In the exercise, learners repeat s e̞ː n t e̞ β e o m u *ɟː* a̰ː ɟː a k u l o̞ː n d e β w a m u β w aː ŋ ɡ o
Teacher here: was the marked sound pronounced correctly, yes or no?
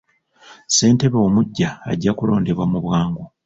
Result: yes